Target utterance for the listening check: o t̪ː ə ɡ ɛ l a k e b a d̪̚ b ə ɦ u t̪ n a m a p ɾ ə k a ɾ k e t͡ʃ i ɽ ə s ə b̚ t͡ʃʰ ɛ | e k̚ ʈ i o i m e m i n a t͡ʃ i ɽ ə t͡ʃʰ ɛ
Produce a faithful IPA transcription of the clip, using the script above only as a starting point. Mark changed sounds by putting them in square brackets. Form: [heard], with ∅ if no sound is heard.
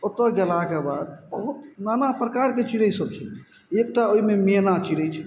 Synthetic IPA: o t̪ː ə ɡ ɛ l a k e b a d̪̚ b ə ɦ u t̪ n a [n] a p ɾ ə k a ɾ k e t͡ʃ i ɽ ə s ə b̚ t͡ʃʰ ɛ | e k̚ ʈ [a] o i m e m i n a t͡ʃ i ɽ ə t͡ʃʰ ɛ